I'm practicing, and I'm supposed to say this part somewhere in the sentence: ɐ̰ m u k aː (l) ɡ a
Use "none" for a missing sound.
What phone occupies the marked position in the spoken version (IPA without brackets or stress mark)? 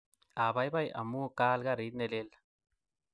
l